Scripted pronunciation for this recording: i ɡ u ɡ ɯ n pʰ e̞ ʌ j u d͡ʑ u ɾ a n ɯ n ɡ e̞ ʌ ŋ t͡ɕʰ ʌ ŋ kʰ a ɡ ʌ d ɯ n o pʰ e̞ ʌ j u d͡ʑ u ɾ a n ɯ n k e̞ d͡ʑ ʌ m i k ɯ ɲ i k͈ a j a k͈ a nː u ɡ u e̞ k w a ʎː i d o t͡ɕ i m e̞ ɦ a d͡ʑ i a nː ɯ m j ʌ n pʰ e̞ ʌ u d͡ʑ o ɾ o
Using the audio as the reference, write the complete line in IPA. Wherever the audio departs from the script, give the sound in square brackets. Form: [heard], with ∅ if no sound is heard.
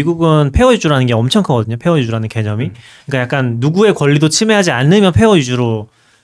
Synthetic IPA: i ɡ u ɡ ɯ n pʰ e̞ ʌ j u d͡ʑ u ɾ a n ɯ n ɡ e̞ ʌ [m] t͡ɕʰ ʌ ŋ kʰ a ɡ ʌ d ɯ [ɲ] o pʰ e̞ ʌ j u d͡ʑ u ɾ a n ɯ n k e̞ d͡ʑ ʌ m i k ɯ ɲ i k͈ a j a k͈ a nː u ɡ u e̞ k w [ʌ] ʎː i d o [t͡ɕʰ] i m e̞ ɦ a d͡ʑ i a nː ɯ m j ʌ n pʰ e̞ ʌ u d͡ʑ [u] ɾ o